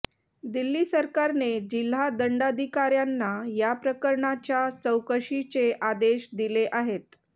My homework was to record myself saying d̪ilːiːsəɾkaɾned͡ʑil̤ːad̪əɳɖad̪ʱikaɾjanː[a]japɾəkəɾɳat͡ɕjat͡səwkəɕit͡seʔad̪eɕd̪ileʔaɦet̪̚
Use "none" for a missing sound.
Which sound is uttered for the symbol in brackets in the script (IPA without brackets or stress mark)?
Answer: a